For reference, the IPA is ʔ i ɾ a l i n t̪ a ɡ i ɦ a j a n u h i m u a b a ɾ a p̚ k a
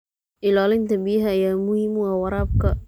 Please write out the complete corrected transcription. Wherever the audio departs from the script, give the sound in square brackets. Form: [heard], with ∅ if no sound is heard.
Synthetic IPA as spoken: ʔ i [l] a l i n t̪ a [b] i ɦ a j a [m] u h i m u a [w] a ɾ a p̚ k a